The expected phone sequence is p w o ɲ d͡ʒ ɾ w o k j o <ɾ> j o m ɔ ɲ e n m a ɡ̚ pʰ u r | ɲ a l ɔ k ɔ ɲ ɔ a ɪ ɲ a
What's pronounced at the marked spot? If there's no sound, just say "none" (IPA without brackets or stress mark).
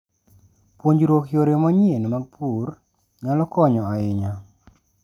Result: ɾ